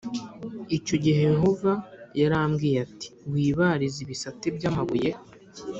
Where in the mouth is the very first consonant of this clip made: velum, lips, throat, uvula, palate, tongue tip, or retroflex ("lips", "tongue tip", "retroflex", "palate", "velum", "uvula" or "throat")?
palate